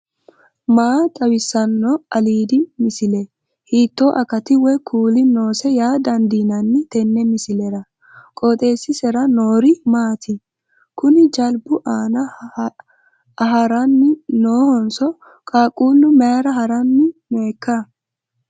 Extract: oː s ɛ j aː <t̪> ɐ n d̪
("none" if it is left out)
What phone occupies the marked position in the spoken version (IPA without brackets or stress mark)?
d̪